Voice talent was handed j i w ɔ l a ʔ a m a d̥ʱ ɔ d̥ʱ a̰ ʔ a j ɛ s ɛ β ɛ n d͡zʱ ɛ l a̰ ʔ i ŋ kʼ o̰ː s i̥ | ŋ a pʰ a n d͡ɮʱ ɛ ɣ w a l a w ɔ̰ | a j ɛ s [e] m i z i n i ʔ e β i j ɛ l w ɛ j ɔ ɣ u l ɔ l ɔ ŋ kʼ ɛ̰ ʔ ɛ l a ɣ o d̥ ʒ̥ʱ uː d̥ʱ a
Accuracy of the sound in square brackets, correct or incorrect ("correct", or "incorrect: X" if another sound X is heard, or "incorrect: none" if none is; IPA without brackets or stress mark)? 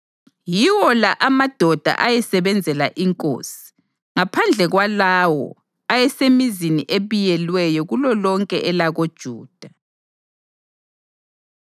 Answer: correct